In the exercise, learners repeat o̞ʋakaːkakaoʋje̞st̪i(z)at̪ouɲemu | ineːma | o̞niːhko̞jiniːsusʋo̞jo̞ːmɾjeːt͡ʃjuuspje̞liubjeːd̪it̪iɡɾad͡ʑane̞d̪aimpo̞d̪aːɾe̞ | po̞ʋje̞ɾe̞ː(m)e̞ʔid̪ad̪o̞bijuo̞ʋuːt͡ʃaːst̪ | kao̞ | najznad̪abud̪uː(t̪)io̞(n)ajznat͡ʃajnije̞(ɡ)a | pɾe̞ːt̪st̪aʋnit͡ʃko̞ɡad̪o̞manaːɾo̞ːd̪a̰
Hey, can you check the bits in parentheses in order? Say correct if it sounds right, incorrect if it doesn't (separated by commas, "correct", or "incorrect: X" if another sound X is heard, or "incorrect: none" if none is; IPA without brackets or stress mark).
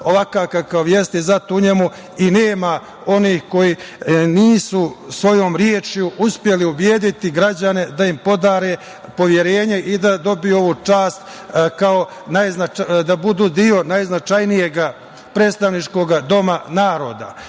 correct, incorrect: ɲ, incorrect: d̪, correct, correct